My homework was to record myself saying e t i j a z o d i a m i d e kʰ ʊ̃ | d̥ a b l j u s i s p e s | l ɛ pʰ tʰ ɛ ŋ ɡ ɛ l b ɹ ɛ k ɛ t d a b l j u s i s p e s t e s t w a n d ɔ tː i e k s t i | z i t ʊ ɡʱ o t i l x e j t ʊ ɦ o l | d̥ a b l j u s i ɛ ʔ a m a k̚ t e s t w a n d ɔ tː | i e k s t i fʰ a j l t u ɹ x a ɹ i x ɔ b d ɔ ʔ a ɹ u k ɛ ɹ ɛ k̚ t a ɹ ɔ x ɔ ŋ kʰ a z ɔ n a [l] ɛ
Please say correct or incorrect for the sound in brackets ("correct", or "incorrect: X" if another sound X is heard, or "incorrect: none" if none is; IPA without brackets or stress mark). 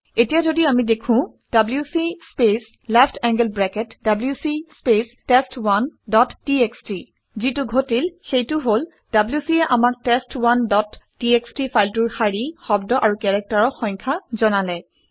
correct